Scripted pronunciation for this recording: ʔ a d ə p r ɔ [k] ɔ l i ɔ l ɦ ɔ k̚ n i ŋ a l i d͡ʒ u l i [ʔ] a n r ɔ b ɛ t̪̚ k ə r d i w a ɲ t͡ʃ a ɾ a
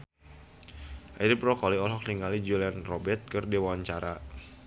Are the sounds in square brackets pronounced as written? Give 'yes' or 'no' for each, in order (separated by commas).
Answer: yes, no